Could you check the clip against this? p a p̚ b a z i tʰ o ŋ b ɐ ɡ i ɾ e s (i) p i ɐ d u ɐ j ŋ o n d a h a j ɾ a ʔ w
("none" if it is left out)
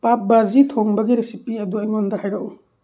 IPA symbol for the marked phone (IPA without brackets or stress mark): i